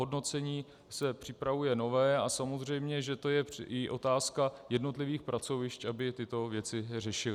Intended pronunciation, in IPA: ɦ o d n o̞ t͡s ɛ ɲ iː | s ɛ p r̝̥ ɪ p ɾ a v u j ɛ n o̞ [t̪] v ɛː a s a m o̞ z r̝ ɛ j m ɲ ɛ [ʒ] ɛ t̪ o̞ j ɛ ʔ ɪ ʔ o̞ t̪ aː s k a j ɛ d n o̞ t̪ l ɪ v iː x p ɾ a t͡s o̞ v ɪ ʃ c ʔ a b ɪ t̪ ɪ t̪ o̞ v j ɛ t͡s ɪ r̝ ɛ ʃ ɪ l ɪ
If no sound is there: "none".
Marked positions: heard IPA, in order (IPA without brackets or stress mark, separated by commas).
none, ʒ